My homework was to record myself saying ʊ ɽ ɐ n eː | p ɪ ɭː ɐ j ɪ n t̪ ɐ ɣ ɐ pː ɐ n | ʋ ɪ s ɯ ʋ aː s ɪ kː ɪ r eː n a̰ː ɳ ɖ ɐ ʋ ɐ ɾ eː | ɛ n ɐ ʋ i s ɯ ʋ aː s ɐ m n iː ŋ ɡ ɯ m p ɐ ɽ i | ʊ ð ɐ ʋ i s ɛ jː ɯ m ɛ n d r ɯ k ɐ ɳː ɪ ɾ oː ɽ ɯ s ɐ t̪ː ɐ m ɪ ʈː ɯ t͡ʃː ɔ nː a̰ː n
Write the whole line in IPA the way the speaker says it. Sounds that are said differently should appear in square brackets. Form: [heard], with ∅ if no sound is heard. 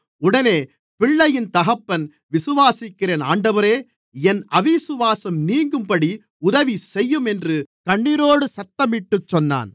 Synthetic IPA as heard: ʊ ɽ ɐ n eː | p ɪ ɭː ɐ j ɪ n t̪ ɐ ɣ ɐ pː ɐ n | ʋ ɪ s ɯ ʋ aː s ɪ kː ɪ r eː n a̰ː ɳ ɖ ɐ ʋ ɐ ɾ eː | ɛ n ɐ ʋ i s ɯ ʋ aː s ɐ m n iː ŋ ɡ ɯ m p ɐ ɽ i | ʊ ð ɐ ʋ i s ɛ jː ɯ m ɛ n d r ɯ k ɐ ɳː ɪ ɾ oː ɽ ɯ s ɐ t̪ː ɐ m ɪ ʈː ɯ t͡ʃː ɔ nː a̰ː n